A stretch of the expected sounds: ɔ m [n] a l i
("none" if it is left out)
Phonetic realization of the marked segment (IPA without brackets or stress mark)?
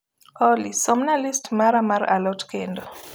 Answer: n